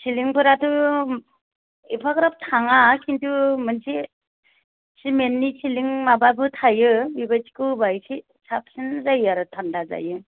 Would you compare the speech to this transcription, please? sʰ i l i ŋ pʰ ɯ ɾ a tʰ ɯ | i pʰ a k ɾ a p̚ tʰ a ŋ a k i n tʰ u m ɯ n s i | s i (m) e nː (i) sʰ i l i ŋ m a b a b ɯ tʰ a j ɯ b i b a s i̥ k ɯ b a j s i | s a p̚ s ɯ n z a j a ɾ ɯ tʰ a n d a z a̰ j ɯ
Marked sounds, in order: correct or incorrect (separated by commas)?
correct, correct